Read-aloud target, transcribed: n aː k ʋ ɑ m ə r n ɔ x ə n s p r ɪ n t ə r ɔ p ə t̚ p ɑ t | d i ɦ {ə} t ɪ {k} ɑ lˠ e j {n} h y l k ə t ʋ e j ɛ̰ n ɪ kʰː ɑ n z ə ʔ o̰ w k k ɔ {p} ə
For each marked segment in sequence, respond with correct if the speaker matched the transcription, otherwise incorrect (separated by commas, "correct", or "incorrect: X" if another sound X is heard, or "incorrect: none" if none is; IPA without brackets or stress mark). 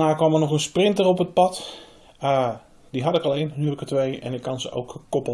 incorrect: ɑ, correct, correct, correct